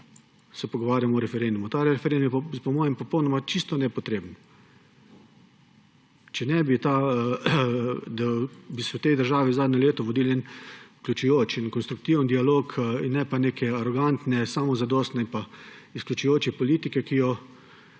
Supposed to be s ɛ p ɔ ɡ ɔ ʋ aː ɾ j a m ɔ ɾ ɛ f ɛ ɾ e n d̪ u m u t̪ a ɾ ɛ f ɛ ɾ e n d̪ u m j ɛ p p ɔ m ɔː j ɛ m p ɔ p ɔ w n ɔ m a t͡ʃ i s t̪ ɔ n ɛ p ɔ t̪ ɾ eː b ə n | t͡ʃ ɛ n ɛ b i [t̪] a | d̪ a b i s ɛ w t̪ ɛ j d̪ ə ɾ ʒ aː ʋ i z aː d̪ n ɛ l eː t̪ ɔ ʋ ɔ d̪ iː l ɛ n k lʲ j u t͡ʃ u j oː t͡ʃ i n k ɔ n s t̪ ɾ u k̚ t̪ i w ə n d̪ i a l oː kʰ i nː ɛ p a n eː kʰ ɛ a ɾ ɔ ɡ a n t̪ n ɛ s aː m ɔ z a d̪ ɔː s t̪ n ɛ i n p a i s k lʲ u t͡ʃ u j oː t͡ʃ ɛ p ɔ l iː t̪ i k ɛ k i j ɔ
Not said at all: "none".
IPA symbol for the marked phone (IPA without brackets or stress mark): t̪